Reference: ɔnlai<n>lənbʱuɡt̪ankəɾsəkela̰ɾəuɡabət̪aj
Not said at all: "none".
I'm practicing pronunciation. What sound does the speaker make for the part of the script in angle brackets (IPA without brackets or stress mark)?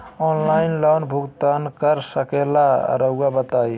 n